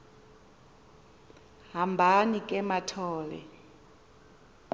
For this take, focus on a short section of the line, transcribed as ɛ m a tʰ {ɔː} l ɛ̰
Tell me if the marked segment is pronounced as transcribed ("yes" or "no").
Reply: yes